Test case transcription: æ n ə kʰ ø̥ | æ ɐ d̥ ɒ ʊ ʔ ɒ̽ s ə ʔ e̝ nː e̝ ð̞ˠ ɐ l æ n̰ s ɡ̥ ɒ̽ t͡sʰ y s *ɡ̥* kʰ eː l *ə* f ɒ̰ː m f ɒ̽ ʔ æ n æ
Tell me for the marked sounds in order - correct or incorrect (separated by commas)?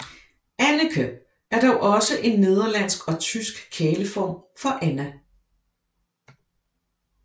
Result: correct, correct